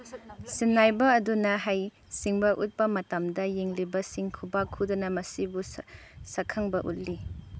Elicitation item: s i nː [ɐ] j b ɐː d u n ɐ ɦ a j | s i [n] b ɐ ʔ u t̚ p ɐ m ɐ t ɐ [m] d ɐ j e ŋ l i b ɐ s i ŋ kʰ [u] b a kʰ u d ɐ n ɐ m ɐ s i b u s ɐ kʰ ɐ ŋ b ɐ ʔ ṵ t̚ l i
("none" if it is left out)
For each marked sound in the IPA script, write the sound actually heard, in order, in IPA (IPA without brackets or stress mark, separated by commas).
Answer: a, ŋ, m, u